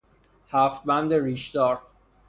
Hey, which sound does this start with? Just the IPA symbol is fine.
h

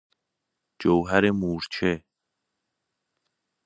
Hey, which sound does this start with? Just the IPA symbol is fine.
d͡ʒ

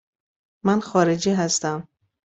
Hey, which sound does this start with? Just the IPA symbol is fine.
m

